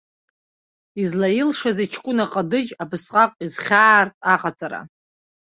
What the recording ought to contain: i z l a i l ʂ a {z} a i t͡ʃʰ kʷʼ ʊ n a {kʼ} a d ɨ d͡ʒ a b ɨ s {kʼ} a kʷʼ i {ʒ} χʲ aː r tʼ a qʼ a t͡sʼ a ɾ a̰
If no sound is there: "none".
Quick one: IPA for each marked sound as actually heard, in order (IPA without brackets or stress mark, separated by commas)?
z, qʼ, qʼ, z